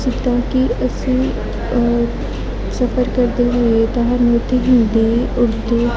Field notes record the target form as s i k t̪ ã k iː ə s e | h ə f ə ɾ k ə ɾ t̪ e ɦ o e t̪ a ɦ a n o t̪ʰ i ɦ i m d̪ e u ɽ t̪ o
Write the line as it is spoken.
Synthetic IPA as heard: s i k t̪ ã k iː ə s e | s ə f ə ɾ k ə ɾ d̪ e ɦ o e t̪ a ɦ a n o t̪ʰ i ɦ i n d̪ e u ɽ t̪ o